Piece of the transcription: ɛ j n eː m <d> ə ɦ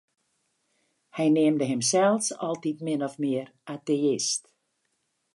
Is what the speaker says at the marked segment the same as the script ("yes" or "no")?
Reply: yes